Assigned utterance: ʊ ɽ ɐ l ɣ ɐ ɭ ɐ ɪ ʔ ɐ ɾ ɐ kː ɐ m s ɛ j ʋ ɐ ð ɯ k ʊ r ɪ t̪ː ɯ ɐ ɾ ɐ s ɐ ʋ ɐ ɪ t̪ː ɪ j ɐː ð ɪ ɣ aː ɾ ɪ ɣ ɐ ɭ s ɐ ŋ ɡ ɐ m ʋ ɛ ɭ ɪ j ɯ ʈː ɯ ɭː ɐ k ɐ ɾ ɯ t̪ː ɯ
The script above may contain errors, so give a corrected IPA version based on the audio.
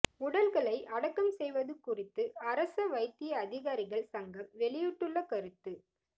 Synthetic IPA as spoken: ʊ ɽ ɐ l ɣ ɐ ɭ ɐ ɪ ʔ ɐ ɽ ɐ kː ɐ m s ɛ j ʋ ɐ ð ɯ k ʊ r ɪ t̪ː ɯ ɐ ɾ ɐ s ɐ ʋ ɐ ɪ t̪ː ɪ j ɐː ð ɪ ɣ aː ɾ ɪ ɣ ɐ ɭ s ɐ ŋ ɡ ɐ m ʋ ɛ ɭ ɪ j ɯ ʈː ɯ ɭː ɐ k ɐ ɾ ɯ t̪ː ɯ

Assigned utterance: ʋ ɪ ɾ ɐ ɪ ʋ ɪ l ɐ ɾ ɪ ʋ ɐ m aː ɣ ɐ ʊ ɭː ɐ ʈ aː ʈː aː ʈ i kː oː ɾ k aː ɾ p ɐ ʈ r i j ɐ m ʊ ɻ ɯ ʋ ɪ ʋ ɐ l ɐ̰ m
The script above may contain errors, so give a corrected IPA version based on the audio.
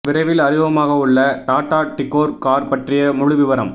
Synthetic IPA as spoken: ʋ ɪ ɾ ɐ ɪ ʋ ɪ l ɐ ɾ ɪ ʋ ɐ m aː ɣ ɐ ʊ ɭː ɐ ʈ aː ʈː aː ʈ ɪ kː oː ɾ k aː ɾ p ɐ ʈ r ɪ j ɐ m ʊ ɻ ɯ ʋ ɪ ʋ ɐ ɾ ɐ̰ m

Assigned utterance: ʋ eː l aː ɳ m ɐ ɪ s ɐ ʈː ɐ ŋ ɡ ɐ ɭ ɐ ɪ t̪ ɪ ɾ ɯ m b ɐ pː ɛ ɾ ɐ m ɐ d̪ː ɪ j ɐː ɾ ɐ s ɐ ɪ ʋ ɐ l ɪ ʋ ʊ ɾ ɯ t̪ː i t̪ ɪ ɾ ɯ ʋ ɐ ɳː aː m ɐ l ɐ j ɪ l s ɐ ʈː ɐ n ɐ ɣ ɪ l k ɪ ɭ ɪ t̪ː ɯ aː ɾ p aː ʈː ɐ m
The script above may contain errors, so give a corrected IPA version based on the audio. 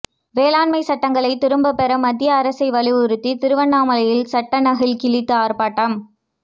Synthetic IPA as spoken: ʋ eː l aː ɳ m ɐ ɪ s ɐ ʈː ɐ ŋ ɡ ɐ ɭ ɐ ɪ t̪ ɪ ɾ ɯ m b ɐ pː ɛ ɾ ɐ m ɐ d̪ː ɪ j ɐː ɾ ɐ s ɐ ɪ ʋ ɐ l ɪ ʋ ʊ ɾ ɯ t̪ː i t̪ ɪ ɾ ɯ ʋ ɐ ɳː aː m ɐ l ɐ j ɪ l s ɐ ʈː ɐ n ɐ ɣ ɪ l k ɪ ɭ ɪ t̪ː ɯ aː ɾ p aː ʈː ɐ m

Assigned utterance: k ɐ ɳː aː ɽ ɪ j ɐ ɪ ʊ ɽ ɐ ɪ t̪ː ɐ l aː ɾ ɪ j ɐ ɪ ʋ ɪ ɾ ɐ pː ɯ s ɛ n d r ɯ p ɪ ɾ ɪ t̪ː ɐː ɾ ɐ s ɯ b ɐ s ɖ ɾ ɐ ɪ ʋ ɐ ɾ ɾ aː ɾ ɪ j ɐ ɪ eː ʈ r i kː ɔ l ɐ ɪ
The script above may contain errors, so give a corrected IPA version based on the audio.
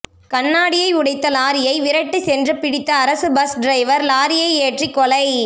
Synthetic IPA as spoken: k ɐ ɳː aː ɽ ɪ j ɐ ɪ ʊ ɽ ɐ ɪ t̪ː ɐ l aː ɾ ɪ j ɐ ɪ ʋ ɪ ɾ ɐ ʈː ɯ s ɛ n d r ɯ p ɪ ɽ ɪ t̪ː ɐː ɾ ɐ s ɯ b ɐ s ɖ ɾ ɐ ɪ ʋ ɐ ɾ l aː ɾ ɪ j ɐ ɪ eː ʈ r i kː ɔ l ɐ ɪ

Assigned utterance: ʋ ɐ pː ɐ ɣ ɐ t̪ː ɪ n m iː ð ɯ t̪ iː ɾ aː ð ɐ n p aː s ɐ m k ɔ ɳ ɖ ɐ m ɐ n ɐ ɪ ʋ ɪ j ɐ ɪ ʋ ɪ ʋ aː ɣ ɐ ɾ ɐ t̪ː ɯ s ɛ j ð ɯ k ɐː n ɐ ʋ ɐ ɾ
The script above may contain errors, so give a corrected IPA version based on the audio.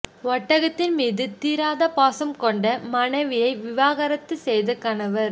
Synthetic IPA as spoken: ʋ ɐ ʈː ɐ ɣ ɐ t̪ː ɪ n m iː ð ɯ t̪ iː ɾ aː ð ɐ p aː s ɐ m k ɔ ɳ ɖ ɐ m ɐ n ɐ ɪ ʋ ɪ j ɐ ɪ ʋ ɪ ʋ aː ɣ ɐ ɾ ɐ t̪ː ɯ s ɛ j ð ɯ k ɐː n ɐ ʋ ɐ ɾ

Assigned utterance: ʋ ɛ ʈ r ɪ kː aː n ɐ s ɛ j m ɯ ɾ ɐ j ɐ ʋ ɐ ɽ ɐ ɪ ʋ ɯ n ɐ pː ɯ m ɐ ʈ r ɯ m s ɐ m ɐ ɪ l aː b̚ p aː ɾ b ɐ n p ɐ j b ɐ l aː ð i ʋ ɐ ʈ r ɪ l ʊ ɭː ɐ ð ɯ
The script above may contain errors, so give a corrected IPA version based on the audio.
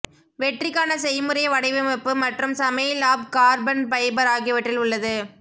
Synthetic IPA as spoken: ʋ ɛ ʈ r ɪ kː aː n ɐ s ɛ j m ɯ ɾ ɐ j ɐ ʋ ɐ ɽ ɐ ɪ ʋ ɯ m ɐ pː ɯ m ɐ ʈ r ɯ m s ɐ m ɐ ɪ l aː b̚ k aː ɾ b ɐ n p ɐ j b ɐ ɾ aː ɣ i ʋ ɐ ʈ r ɪ l ʊ ɭː ɐ ð ɯ

